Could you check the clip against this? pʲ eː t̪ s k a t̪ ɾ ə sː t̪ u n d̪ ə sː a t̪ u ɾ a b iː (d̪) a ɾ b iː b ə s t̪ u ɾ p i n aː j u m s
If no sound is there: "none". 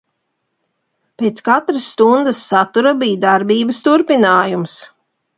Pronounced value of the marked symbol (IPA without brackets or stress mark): d̪